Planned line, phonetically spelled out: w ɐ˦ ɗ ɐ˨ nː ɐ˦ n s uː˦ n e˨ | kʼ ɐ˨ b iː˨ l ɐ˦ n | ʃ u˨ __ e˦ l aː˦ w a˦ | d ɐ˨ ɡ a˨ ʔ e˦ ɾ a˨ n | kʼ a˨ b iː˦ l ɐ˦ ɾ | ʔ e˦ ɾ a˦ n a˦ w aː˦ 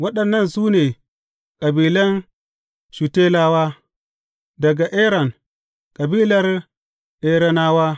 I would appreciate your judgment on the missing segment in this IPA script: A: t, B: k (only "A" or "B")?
A